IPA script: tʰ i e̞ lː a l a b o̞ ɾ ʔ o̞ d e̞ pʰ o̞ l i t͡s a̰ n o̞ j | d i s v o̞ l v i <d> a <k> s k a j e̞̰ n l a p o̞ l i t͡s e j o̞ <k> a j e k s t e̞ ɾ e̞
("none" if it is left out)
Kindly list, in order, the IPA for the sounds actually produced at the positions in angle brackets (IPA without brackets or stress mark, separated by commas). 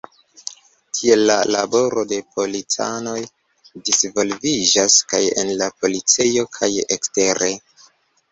d͡ʒ, none, kʰ